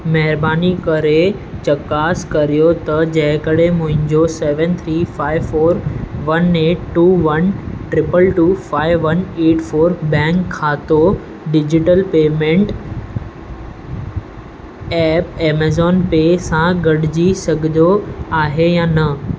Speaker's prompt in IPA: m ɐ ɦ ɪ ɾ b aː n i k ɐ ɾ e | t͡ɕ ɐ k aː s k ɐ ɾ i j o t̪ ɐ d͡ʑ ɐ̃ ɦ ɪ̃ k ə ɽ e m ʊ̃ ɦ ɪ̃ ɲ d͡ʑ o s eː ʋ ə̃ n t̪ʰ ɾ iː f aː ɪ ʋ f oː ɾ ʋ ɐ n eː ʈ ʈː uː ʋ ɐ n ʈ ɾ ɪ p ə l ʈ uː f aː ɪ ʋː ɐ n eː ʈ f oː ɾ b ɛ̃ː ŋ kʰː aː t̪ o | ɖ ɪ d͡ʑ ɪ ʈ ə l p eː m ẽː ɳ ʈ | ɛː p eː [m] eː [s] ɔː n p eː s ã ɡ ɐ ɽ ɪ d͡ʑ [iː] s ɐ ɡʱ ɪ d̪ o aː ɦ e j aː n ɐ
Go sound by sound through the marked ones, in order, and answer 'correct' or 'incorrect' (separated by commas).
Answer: correct, incorrect, incorrect